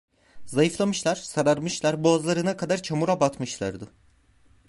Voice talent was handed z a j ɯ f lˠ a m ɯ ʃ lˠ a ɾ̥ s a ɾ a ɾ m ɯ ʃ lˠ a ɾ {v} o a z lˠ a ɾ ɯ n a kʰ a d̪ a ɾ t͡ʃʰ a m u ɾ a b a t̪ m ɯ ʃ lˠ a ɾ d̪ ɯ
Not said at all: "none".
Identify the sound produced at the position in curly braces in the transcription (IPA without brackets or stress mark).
b